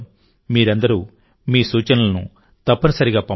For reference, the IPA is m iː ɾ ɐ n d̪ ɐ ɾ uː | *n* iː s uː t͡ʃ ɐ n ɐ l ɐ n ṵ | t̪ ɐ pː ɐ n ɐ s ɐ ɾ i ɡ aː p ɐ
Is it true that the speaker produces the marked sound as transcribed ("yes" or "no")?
no